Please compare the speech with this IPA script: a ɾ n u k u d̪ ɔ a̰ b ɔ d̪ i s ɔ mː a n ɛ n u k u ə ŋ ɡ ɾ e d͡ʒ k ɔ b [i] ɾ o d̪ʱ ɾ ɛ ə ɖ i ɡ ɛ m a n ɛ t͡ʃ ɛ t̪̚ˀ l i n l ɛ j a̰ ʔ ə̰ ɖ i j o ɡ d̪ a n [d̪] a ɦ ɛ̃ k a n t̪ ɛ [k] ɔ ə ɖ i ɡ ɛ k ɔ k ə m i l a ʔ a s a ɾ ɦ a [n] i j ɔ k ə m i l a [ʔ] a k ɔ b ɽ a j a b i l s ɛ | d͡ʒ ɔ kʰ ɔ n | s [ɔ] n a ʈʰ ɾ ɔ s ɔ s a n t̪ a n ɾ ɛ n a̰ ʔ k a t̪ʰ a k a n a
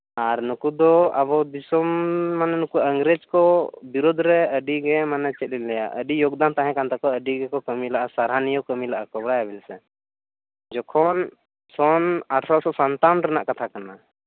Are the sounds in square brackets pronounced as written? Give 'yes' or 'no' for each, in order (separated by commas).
yes, no, yes, yes, yes, yes